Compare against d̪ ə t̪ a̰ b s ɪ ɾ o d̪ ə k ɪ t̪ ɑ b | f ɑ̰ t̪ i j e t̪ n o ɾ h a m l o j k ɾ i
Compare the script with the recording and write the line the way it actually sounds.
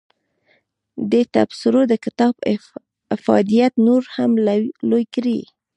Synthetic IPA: d̪ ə t̪ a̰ b s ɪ ɾ o d̪ ə k ɪ t̪ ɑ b | f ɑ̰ d̪ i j a t̪ n o ɾ h a m l o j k ɾ i